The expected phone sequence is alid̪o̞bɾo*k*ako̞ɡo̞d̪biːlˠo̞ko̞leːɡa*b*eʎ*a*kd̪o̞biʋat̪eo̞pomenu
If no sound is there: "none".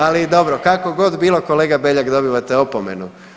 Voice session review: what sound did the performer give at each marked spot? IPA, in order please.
k, b, a

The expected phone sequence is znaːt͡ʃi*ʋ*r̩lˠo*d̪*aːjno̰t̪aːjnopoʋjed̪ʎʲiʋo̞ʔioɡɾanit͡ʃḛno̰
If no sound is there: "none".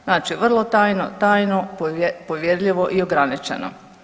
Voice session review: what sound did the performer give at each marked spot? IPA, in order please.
ʋ, t̪

